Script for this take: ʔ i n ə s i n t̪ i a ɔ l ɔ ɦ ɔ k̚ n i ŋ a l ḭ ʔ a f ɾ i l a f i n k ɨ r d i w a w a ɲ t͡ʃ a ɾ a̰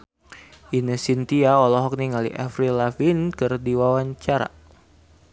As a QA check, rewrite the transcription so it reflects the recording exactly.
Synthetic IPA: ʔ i n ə s i n t̪ i a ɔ l ɔ ɦ ɔ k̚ n i ŋ a l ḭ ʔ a f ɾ i l a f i n k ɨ r d i w a w a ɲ t͡ʃ a ɾ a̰